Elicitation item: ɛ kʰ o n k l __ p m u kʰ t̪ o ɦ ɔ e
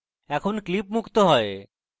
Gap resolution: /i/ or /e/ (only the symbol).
i